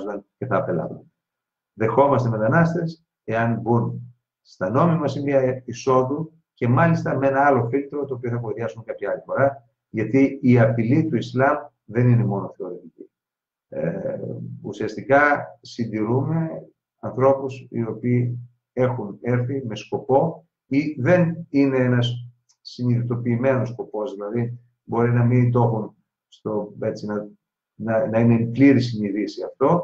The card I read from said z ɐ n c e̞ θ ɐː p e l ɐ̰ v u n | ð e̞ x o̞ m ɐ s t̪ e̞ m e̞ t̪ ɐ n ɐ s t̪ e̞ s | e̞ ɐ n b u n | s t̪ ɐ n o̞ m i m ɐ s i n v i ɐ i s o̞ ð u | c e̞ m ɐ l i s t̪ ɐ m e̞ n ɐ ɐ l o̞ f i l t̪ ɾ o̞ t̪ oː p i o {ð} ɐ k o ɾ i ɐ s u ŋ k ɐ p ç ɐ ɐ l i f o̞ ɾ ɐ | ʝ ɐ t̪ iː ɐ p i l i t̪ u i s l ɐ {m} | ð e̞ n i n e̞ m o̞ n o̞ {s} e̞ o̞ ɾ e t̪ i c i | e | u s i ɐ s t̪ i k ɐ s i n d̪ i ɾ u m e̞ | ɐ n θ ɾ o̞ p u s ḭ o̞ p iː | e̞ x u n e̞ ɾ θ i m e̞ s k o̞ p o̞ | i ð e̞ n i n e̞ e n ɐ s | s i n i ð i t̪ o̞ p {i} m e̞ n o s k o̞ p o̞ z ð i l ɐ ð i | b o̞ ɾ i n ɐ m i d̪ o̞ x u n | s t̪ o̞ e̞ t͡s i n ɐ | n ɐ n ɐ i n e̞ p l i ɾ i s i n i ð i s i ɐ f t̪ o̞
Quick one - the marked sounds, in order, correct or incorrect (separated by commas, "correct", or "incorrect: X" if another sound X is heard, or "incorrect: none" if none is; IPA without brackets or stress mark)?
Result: incorrect: θ, correct, incorrect: θ, incorrect: iː